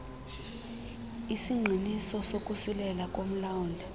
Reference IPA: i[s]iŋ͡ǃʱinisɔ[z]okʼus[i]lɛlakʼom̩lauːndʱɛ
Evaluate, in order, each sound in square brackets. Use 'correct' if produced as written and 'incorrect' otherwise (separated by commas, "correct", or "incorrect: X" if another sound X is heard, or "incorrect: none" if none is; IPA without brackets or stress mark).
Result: correct, incorrect: s, correct